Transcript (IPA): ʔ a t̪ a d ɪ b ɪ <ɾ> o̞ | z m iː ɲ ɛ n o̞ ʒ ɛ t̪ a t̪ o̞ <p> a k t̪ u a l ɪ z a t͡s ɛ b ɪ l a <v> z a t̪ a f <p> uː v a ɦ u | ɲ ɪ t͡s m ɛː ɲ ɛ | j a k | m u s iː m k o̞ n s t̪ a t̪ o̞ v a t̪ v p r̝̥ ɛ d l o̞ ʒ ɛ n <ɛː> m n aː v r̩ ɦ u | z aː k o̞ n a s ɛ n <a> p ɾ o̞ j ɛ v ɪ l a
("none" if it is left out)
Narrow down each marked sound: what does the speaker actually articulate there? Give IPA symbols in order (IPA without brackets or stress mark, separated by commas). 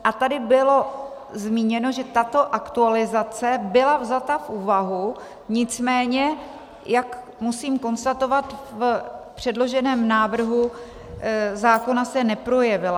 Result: l, ʔ, v, ʔ, ɛː, ɛ